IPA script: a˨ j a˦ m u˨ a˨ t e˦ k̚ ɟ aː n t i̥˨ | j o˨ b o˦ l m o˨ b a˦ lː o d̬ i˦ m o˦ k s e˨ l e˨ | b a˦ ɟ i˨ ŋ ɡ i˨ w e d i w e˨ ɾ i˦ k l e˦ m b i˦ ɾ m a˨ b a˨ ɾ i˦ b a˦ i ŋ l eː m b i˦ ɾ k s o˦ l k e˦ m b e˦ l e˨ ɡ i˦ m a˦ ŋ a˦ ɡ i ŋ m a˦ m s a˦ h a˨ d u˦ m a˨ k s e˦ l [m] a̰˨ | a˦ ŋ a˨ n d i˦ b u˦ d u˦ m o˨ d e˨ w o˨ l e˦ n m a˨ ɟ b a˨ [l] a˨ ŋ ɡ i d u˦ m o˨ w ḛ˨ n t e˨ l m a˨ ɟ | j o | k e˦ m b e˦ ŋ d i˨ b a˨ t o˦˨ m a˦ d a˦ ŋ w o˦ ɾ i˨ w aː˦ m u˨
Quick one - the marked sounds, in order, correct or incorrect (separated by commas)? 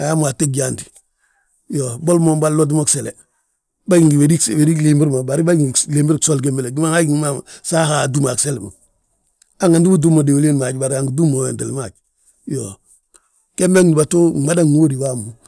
correct, incorrect